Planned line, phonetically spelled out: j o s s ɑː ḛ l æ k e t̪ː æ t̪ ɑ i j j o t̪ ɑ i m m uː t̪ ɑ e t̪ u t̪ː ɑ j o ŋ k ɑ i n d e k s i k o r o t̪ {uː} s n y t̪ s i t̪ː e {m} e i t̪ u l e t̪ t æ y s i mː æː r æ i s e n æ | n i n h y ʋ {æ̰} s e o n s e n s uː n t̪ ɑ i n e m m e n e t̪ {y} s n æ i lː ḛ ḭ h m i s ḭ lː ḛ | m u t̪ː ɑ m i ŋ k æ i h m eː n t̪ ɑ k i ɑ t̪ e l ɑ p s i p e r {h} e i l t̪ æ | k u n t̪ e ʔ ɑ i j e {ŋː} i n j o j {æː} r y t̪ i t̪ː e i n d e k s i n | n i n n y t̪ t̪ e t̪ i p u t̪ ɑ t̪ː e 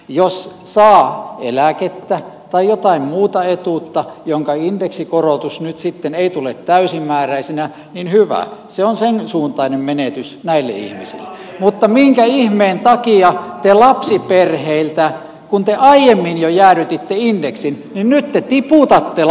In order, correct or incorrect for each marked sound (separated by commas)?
incorrect, incorrect, correct, correct, correct, incorrect, correct